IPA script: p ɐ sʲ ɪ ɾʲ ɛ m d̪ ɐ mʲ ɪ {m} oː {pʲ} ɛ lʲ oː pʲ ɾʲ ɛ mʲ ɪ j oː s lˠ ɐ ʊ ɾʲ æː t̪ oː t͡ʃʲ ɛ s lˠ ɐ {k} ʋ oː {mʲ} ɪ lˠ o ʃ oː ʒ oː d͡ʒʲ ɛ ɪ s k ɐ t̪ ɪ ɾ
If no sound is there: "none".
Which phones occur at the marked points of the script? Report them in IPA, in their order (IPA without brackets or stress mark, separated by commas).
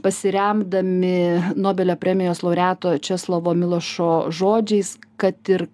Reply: n, bʲ, none, mʲ